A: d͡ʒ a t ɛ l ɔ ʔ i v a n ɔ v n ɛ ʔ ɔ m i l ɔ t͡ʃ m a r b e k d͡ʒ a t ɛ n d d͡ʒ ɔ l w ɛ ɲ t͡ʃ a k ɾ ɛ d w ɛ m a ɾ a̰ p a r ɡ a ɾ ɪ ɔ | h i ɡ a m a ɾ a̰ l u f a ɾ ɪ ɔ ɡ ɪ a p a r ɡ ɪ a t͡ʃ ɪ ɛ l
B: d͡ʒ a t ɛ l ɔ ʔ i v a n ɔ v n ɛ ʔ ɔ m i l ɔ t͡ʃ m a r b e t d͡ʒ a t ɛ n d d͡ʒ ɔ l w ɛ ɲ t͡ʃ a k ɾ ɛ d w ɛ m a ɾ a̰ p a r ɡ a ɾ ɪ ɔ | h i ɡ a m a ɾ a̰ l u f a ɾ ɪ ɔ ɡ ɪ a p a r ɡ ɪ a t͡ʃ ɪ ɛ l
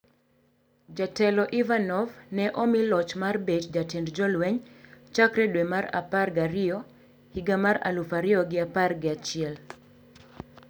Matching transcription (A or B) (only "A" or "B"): B